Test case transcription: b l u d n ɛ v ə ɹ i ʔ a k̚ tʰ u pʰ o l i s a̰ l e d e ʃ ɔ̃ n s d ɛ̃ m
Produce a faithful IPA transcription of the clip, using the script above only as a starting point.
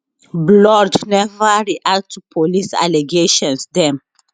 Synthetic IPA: b l ɔ d n ɛ v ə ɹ i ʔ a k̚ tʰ u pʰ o l i s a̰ l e ɡ e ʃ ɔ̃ n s d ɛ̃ m